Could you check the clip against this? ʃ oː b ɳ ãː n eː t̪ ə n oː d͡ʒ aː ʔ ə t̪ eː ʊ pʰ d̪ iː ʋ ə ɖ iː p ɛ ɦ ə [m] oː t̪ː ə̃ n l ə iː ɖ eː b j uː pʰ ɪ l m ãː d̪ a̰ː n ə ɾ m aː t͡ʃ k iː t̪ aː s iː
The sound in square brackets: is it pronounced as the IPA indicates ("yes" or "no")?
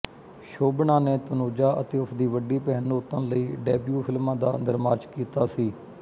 no